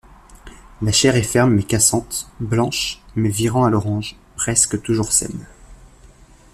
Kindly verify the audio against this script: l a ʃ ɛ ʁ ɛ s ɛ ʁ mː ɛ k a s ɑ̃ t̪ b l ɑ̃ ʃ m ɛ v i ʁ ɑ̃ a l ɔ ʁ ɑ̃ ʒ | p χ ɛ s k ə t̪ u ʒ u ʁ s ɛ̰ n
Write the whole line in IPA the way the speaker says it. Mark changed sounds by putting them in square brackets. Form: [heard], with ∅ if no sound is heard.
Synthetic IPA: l a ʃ ɛ ʁ ɛ [f] ɛ ʁ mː ɛ k a s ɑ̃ t̪ b l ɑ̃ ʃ m ɛ v i ʁ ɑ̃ a l ɔ ʁ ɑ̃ ʒ | p χ ɛ s k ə t̪ u ʒ u ʁ s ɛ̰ n